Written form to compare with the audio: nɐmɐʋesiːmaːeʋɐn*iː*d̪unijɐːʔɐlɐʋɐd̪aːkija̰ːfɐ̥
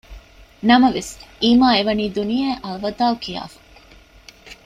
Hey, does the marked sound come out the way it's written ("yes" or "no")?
yes